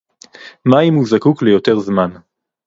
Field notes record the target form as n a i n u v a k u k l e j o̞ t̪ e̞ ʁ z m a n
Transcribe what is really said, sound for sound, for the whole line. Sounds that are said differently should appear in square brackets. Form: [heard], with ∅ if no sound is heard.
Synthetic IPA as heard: [m] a i [m] u [z] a k u k l e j o̞ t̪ e̞ ʁ z m a n